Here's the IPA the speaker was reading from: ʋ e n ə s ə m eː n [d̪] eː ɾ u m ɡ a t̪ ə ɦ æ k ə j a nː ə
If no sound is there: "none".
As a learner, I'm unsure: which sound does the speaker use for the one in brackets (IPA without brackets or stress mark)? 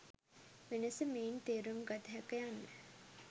t̪